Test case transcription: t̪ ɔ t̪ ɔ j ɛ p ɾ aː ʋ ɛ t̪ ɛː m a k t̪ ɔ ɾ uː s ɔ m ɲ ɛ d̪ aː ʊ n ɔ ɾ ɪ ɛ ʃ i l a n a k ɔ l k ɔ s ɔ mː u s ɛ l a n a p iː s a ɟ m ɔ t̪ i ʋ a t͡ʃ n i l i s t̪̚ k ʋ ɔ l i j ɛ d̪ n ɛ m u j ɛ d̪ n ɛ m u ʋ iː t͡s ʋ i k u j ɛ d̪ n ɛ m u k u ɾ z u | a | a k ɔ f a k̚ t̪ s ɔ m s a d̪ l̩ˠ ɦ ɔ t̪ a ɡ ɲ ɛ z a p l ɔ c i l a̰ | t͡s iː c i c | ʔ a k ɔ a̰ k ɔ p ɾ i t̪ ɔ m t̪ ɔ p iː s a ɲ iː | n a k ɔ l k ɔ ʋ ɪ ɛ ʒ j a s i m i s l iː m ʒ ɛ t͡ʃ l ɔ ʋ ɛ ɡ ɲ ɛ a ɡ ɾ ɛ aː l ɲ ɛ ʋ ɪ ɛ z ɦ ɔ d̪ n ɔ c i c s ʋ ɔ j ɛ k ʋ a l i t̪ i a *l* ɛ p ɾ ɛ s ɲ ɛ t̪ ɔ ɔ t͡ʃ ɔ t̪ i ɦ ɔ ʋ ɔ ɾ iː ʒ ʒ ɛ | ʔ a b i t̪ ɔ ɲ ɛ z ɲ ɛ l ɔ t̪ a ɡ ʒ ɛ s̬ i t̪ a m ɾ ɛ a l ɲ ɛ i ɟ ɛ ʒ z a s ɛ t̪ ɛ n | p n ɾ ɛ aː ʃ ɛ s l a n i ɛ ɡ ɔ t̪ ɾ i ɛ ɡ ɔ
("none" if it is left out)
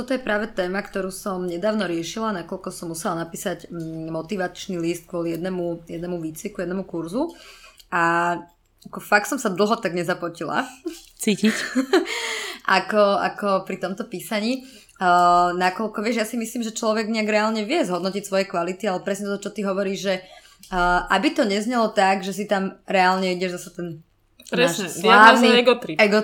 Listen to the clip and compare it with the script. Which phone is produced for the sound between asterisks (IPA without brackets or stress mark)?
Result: l